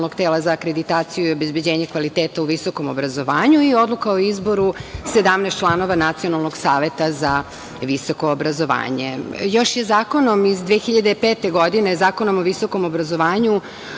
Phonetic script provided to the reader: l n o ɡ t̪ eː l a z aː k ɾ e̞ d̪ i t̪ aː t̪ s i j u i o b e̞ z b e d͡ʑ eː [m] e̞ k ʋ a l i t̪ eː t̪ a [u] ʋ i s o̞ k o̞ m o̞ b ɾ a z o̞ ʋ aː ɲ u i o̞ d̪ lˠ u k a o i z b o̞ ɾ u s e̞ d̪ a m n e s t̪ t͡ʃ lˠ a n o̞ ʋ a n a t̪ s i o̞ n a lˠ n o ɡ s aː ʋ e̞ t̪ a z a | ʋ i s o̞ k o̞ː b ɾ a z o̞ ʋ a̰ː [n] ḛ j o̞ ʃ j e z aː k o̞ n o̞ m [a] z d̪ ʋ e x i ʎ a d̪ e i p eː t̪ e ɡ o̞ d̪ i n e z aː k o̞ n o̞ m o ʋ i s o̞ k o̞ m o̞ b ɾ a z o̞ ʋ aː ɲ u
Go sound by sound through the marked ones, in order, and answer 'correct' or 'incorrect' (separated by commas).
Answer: incorrect, correct, incorrect, incorrect